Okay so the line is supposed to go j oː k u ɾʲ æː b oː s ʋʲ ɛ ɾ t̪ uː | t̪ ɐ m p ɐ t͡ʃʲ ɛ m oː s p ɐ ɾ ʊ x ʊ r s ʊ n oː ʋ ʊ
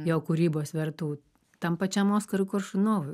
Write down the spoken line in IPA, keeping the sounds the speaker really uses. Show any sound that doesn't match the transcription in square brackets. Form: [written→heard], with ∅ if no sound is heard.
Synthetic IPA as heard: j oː k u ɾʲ [æː→iː] b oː s ʋʲ ɛ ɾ t̪ uː | t̪ ɐ m p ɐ t͡ʃʲ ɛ m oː s [p→k] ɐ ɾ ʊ [x→k] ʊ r [s→ʃ] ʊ n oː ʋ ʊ